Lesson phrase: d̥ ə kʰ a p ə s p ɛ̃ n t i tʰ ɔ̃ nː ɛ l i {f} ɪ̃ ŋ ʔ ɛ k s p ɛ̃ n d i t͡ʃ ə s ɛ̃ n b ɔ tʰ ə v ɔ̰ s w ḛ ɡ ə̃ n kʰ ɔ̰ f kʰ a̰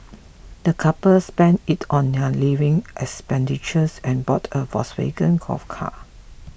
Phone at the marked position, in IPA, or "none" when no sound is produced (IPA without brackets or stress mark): v